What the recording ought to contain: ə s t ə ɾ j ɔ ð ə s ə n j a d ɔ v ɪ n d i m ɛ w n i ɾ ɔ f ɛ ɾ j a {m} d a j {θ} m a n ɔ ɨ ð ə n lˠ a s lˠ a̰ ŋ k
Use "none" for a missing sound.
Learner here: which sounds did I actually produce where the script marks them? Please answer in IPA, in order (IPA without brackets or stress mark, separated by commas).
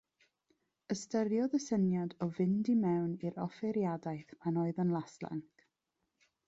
none, θ